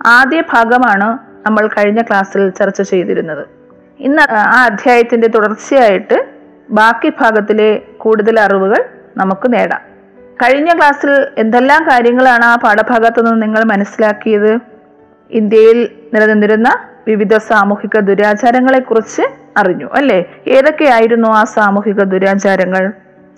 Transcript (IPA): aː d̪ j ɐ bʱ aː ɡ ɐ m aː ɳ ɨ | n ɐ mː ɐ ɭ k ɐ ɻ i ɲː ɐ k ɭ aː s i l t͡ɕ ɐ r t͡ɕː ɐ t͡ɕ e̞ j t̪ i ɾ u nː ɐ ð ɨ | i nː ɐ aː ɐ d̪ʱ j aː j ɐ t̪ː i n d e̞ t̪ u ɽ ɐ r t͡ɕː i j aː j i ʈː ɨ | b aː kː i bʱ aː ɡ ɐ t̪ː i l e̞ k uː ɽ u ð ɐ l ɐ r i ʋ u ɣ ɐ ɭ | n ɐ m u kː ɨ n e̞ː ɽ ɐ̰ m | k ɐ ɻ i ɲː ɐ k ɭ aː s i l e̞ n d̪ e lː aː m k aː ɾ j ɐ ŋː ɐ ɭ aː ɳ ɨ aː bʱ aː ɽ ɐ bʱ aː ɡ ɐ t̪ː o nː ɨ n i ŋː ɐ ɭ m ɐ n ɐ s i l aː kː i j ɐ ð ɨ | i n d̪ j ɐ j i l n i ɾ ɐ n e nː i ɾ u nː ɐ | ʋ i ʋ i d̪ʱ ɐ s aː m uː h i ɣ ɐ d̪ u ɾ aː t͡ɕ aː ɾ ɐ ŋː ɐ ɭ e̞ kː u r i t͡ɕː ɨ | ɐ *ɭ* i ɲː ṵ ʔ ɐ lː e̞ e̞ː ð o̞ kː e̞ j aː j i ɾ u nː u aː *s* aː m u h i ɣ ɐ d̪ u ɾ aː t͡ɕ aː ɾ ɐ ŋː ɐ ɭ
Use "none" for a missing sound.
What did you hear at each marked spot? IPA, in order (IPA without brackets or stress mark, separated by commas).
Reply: r, s